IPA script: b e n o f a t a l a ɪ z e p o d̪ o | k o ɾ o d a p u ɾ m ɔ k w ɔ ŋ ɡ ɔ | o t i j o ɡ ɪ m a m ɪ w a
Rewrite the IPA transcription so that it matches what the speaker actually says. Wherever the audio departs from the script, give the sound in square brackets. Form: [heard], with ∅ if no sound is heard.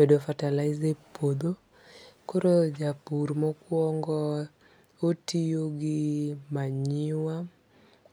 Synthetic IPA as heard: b e [d] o f a t a l a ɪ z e p o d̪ o | k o ɾ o [d͡ʒ] a p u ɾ m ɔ k w ɔ ŋ ɡ ɔ | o t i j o ɡ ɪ m a [ɲ] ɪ w a